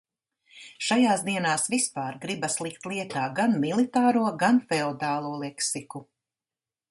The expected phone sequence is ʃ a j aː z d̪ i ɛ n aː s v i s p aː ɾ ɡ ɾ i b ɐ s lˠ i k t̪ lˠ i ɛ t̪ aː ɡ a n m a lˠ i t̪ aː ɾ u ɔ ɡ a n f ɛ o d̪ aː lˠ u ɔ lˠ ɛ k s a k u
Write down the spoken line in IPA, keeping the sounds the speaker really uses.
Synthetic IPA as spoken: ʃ a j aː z d̪ i ɛ n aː s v i s p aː ɾ ɡ ɾ i b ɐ s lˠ i k t̪ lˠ i ɛ t̪ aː ɡ a n m i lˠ i t̪ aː ɾ u ɔ ɡ a n f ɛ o d̪ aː lˠ u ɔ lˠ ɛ k s i k u